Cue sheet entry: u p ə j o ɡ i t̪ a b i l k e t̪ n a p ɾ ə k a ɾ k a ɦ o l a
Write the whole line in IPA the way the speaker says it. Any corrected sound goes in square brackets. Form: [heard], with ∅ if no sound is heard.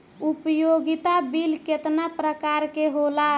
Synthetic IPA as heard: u p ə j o ɡ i t̪ a b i l k e t̪ n a p ɾ ə k a ɾ k [e] ɦ o l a